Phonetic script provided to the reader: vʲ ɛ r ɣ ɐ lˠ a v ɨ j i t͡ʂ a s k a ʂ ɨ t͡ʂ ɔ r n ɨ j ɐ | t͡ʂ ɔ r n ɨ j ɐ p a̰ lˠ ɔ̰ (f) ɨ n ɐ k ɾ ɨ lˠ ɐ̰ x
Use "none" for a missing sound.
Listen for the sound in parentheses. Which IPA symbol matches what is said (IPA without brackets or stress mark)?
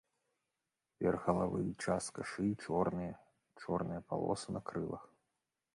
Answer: s